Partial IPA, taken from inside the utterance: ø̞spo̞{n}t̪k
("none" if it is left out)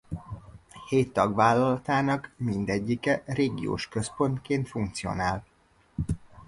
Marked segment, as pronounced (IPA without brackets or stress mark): n